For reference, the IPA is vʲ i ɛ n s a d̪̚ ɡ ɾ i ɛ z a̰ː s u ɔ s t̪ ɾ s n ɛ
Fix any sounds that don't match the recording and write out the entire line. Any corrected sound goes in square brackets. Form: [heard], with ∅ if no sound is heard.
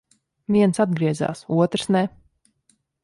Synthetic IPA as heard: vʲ i ɛ n s a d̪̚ ɡ ɾ i ɛ z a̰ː s u ɔ [∅] t̪ ɾ s n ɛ